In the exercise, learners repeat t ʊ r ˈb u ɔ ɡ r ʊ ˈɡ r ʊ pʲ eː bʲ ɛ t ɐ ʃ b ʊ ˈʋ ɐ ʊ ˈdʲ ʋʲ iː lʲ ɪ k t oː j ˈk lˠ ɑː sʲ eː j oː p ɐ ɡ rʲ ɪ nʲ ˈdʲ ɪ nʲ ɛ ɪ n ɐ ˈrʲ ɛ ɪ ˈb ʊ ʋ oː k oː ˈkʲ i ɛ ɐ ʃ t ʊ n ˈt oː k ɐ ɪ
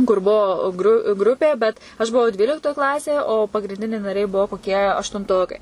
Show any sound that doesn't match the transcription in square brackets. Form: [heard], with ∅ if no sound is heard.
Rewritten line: [k] ʊ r ˈb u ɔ ɡ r ʊ ˈɡ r ʊ pʲ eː bʲ ɛ t ɐ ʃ b ʊ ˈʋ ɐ ʊ ˈdʲ ʋʲ iː lʲ ɪ k t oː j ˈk lˠ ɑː sʲ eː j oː p ɐ ɡ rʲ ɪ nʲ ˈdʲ ɪ nʲ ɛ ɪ n ɐ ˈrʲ ɛ ɪ ˈb ʊ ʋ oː k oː ˈkʲ i ɛ ɐ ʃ t ʊ n ˈt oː k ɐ ɪ